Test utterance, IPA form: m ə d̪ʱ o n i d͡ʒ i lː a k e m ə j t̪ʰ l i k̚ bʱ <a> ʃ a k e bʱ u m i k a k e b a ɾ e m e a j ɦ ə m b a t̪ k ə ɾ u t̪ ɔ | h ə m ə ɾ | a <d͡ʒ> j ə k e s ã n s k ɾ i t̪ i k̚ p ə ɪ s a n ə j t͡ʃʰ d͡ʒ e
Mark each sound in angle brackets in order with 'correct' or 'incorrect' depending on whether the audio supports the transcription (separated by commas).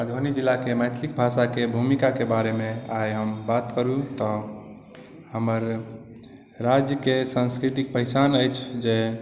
correct, correct